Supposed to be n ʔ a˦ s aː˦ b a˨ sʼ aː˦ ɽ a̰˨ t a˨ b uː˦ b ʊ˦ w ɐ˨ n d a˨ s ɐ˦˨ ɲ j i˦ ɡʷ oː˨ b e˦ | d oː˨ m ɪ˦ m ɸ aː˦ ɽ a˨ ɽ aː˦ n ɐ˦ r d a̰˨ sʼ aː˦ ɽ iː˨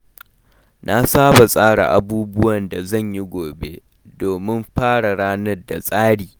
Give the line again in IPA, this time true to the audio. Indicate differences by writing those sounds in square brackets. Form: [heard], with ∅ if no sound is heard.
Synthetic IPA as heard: n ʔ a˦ s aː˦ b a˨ sʼ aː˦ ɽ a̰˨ [ʔ] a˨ b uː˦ b ʊ˦ w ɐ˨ n d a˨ [z] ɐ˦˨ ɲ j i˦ ɡʷ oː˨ b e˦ | d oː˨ m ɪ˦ m ɸ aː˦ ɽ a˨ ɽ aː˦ n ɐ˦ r d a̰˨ sʼ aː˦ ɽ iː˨

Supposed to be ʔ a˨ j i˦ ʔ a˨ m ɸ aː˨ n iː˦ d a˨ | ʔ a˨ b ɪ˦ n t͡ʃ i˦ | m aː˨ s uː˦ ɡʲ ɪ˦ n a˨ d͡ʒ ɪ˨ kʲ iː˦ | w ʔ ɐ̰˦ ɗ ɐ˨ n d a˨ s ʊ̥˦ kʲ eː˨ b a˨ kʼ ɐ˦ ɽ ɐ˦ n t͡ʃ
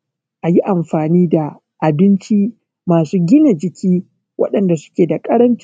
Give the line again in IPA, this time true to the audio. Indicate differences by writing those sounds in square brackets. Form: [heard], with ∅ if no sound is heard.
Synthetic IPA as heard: ʔ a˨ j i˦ ʔ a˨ m ɸ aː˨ n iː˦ d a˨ | ʔ a˨ b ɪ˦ n t͡ʃ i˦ | m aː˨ s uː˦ ɡʲ ɪ˦ n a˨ d͡ʒ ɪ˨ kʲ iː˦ | w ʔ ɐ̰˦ ɗ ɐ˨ n d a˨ s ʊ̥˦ kʲ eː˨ [d] a˨ kʼ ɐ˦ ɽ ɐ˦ n t͡ʃ

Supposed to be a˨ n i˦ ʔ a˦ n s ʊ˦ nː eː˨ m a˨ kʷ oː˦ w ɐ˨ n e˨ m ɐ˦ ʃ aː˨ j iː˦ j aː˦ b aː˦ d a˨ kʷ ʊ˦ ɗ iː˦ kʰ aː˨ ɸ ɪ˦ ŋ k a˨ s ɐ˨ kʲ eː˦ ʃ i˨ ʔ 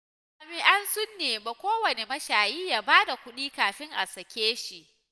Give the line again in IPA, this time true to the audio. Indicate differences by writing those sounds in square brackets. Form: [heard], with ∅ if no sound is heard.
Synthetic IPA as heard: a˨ [m] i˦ ʔ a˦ n s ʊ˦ nː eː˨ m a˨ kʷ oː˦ w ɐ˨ n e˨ m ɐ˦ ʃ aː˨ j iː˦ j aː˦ b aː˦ d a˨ kʷ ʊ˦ ɗ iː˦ [k] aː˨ ɸ ɪ˦ ŋ [ʔ] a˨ s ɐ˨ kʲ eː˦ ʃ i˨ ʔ

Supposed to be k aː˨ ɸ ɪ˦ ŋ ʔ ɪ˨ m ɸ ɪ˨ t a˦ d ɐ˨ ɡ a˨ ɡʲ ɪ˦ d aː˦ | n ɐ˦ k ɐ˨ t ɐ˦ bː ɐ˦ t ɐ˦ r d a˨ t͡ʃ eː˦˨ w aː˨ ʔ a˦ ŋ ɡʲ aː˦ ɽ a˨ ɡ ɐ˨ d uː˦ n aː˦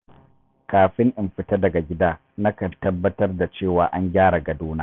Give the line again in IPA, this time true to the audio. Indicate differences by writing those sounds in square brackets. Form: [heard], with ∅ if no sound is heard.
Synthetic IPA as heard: k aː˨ ɸ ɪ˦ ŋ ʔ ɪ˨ m ɸ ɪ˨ t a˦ d ɐ˨ ɡ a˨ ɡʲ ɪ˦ d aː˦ | n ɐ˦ k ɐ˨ t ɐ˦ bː ɐ˦ t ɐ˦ r d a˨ t͡ʃ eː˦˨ w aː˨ ʔ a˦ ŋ ɡʲ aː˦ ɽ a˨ ɡ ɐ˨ d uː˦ n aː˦

